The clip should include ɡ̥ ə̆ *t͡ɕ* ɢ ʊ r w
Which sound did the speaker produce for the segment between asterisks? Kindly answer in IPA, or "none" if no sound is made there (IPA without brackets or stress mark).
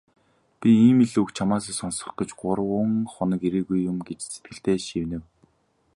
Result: t͡ɕ